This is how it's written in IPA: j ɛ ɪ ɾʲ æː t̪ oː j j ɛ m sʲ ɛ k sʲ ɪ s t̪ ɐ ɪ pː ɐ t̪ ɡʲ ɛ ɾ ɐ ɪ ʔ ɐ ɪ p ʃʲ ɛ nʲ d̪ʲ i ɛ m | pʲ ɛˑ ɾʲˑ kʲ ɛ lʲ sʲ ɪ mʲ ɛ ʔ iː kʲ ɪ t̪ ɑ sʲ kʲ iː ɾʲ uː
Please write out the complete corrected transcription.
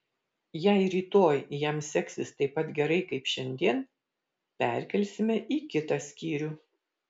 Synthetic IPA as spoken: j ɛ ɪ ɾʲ iː t̪ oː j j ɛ m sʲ ɛ k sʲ ɪ s t̪ ɐ ɪ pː ɐ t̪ ɡʲ ɛ ɾ ɐ ɪ k ɐ ɪ p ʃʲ ɛ nʲ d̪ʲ i ɛ n | pʲ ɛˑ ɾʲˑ kʲ ɛ lʲ sʲ ɪ mʲ ɛ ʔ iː kʲ ɪ t̪ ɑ sʲ kʲ iː ɾʲ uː